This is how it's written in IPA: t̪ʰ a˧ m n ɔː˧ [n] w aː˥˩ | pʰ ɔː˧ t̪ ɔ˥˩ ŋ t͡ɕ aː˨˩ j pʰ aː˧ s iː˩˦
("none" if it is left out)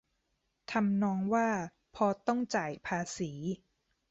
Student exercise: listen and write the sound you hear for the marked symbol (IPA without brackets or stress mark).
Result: ŋ